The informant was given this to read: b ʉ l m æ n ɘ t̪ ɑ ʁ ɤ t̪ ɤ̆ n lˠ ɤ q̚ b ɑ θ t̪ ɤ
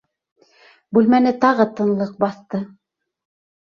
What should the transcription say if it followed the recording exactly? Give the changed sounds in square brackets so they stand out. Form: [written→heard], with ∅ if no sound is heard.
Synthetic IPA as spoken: b ʉ l m æ n ɘ t̪ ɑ ʁ ɤ t̪ ɤ̆ n lˠ ɤ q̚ b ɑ θ t̪ ɤ